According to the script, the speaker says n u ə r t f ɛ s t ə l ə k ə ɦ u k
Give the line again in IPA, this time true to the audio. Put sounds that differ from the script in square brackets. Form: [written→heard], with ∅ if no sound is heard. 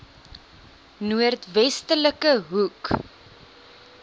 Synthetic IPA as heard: n u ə r t [f→v] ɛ s t ə l ə k ə ɦ u k